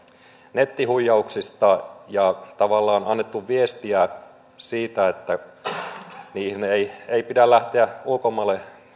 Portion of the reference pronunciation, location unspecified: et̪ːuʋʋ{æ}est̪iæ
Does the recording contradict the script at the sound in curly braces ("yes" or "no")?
yes